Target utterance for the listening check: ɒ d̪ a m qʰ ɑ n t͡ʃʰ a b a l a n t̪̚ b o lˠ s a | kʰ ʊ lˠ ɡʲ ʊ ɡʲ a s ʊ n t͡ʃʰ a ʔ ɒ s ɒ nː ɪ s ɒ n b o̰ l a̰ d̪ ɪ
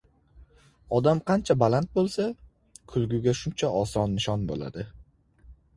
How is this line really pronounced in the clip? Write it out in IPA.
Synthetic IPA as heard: ɒ d̪ a m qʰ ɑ n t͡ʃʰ a b a l a n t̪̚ b o lˠ s a | kʰ ʊ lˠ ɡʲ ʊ ɡʲ a ʃ ʊ n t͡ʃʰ a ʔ ɒ s ɒ nː ɪ ʃ ɒ n b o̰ l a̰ d̪ ɪ